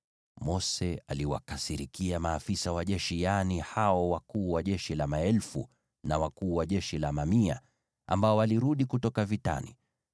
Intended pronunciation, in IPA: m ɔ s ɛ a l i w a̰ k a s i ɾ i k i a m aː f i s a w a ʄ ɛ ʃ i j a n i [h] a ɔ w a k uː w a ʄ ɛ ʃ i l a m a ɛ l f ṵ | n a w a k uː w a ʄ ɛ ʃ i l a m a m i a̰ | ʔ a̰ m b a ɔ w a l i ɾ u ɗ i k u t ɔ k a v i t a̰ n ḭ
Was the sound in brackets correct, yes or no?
yes